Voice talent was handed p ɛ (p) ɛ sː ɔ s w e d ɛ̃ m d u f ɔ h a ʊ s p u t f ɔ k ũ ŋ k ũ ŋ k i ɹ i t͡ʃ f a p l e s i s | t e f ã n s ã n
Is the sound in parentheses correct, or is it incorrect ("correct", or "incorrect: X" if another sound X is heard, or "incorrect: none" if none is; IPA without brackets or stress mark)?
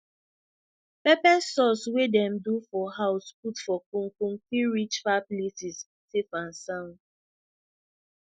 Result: correct